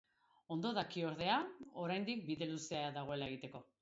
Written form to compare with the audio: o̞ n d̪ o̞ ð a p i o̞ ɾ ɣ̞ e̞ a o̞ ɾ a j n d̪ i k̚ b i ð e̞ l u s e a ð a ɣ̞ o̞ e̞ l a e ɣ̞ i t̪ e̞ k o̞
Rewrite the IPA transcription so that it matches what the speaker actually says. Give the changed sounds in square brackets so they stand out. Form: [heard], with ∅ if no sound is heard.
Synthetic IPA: o̞ n d̪ o̞ ð a [k] i o̞ ɾ [ð̞] e̞ a o̞ ɾ a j n d̪ i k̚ b i ð e̞ l u s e a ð a ɣ̞ o̞ e̞ l a e ɣ̞ i t̪ e̞ k o̞